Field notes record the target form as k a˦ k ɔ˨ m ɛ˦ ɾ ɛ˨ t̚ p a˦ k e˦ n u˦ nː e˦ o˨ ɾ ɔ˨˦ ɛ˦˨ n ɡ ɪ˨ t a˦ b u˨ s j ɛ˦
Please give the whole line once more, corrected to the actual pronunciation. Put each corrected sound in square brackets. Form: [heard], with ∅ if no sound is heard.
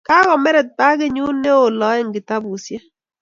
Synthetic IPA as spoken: k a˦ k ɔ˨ m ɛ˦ ɾ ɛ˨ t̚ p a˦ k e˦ [ɲ] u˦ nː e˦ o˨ [l] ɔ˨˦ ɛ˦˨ [ŋ] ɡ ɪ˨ t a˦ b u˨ s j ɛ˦